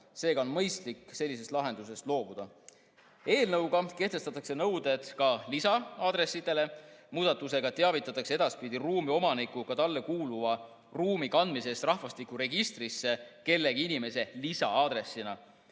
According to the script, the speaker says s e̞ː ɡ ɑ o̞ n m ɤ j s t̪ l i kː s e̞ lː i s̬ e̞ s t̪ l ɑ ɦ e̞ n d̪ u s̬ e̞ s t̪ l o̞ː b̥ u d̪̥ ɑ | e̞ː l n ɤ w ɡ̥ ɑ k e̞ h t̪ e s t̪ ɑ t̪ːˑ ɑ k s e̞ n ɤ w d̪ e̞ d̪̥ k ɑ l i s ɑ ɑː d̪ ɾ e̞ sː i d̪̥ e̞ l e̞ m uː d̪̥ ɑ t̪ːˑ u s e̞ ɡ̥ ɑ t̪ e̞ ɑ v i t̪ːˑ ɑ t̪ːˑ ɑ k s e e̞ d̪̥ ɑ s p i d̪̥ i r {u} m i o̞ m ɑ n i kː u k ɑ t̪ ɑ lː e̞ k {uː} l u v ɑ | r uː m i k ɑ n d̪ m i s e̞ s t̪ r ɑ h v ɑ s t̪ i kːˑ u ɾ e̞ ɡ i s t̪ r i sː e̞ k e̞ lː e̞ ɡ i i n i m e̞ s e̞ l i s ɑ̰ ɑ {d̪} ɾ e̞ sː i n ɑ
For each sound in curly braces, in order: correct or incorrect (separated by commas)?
incorrect, correct, correct